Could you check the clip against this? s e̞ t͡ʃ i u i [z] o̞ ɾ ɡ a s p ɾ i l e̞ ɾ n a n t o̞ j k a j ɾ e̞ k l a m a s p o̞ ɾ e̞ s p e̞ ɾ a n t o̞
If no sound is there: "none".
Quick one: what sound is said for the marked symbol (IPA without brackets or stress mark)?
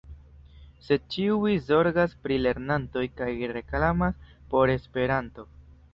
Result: z